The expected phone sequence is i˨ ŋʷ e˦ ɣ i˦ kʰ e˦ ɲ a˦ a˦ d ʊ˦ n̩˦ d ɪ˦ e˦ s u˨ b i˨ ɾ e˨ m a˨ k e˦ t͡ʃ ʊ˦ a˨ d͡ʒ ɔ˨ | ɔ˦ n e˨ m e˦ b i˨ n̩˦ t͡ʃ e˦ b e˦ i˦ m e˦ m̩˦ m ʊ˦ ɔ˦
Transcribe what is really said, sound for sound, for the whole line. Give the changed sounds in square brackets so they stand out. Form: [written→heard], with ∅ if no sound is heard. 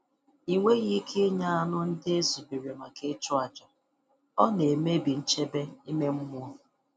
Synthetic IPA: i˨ ŋʷ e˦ ɣ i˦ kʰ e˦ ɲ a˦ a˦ [d→n] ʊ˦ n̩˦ d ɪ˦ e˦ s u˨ b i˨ ɾ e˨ m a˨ k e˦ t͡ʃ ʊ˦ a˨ d͡ʒ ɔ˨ | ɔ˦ n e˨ m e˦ b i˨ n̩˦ t͡ʃ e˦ b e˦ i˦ m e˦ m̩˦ m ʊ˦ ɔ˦